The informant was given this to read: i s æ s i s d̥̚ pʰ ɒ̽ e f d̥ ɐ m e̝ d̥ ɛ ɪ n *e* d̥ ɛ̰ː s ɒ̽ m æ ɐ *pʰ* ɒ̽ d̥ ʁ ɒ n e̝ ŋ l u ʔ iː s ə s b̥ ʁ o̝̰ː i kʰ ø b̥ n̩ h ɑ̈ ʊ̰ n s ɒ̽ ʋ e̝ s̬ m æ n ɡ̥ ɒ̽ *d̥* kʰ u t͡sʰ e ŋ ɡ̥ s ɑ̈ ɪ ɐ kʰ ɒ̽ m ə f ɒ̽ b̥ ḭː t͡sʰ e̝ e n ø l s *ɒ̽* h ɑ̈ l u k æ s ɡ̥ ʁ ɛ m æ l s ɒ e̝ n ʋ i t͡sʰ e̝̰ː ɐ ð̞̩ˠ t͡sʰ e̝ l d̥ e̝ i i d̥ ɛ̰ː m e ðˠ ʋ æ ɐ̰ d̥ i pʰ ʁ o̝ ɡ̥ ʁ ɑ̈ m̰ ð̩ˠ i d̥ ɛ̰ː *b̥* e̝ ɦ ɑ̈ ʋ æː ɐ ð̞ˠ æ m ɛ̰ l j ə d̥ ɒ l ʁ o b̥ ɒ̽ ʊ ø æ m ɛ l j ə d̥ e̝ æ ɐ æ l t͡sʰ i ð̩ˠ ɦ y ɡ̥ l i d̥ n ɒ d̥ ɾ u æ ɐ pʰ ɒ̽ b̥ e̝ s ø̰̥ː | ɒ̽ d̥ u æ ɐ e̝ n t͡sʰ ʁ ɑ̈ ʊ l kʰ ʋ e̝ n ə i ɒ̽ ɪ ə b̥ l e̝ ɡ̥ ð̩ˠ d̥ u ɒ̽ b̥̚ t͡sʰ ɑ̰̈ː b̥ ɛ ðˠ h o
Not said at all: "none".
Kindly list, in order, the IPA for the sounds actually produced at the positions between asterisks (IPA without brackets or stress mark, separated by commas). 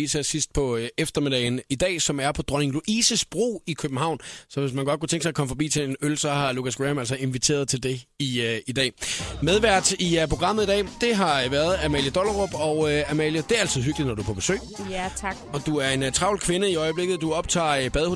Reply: i, pʰ, d̥, ɒ̽, d̥